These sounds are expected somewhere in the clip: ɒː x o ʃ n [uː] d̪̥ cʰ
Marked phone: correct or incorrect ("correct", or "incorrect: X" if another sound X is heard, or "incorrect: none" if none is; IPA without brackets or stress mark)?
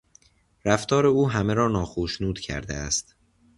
correct